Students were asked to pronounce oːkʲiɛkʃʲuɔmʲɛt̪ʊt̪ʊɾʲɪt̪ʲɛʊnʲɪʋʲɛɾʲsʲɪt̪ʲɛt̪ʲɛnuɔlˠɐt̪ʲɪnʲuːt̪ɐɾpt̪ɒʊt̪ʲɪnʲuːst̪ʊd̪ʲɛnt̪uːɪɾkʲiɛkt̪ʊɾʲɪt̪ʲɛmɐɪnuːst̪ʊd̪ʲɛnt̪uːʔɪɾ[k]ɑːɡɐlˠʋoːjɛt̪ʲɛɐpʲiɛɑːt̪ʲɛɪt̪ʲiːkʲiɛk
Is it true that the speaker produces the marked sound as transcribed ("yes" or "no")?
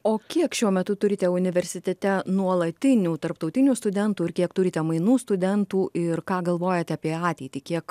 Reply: yes